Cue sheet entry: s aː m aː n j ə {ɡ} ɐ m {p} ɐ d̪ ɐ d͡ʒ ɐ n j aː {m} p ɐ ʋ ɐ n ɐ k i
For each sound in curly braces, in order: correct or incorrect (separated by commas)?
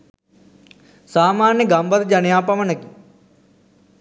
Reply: correct, incorrect, incorrect